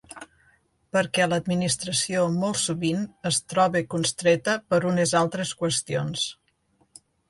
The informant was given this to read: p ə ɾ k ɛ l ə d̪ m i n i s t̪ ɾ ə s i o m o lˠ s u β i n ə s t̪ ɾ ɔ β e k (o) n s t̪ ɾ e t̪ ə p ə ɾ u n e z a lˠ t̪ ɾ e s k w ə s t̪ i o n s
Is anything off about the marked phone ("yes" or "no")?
yes